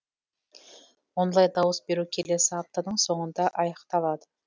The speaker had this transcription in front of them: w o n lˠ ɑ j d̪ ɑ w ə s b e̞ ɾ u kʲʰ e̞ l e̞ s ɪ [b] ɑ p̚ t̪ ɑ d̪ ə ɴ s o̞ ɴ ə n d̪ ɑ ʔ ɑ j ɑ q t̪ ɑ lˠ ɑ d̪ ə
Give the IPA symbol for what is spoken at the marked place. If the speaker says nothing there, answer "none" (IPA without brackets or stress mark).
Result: none